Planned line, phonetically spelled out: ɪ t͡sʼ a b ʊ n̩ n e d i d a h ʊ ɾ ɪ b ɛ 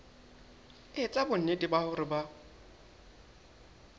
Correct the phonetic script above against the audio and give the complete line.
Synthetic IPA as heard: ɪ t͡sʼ a b ʊ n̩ n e d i b a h ʊ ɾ ɪ b a